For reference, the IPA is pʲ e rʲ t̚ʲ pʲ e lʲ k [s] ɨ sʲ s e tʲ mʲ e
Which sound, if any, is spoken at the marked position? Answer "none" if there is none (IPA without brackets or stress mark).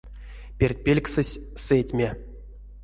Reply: s